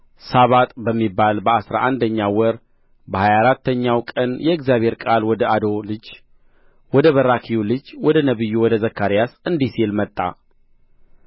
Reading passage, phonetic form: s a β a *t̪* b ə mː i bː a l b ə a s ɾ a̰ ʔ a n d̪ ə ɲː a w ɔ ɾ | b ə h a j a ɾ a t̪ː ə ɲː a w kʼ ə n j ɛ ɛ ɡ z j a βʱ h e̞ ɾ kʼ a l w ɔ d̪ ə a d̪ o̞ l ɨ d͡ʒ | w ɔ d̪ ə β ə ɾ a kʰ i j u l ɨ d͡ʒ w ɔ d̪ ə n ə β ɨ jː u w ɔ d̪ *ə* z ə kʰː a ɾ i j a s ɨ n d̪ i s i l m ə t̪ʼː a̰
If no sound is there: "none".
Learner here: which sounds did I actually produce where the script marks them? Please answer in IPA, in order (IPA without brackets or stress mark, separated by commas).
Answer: t̪ʼ, ə